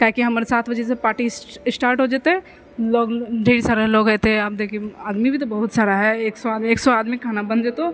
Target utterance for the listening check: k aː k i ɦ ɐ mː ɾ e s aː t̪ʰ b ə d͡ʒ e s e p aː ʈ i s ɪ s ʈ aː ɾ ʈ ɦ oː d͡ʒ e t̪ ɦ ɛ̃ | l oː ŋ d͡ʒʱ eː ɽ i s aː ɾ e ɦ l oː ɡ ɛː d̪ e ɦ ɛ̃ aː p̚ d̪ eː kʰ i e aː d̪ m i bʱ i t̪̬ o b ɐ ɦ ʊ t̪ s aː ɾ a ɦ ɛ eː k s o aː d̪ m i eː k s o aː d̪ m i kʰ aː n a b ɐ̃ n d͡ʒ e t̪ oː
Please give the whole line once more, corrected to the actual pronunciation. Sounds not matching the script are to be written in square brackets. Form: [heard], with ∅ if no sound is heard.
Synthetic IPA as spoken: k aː k i ɦ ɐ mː ɾ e s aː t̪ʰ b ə d͡ʒ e s e p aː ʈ i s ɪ s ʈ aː ɾ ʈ ɦ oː d͡ʒ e t̪ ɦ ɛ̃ | l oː [ɡ] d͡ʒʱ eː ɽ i s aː ɾ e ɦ l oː ɡ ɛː [t̪] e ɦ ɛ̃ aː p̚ d̪ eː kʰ i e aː d̪ m i bʱ i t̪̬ o b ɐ ɦ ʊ t̪ s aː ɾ a ɦ ɛ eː k s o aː d̪ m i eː k s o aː d̪ m i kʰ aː n a b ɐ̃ n d͡ʒ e t̪ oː